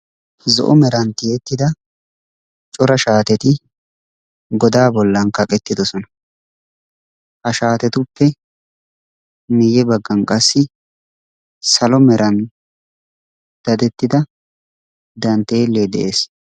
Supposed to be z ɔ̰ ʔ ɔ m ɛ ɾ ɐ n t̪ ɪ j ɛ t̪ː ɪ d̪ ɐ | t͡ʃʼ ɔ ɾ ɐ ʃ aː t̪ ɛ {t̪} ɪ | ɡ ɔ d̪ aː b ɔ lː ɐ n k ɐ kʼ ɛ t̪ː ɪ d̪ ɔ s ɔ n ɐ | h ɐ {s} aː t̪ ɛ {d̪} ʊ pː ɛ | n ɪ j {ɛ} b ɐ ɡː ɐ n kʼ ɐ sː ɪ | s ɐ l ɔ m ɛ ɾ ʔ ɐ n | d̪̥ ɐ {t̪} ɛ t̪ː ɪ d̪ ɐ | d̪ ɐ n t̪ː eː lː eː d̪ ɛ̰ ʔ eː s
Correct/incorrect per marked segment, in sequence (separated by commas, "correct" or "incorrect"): correct, incorrect, incorrect, correct, incorrect